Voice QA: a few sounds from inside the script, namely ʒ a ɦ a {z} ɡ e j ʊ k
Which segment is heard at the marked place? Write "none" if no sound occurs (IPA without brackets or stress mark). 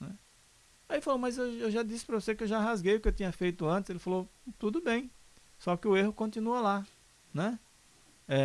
z